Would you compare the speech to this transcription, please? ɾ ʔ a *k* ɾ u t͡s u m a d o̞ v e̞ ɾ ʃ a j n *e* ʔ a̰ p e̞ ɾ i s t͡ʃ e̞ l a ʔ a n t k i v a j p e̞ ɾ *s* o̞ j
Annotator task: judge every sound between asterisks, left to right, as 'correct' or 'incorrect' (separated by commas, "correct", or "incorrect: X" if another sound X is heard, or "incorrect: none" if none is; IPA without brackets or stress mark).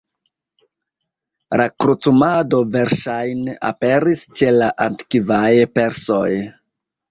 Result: correct, correct, correct